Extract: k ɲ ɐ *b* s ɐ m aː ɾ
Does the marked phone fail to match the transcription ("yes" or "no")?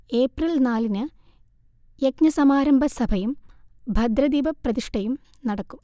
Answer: yes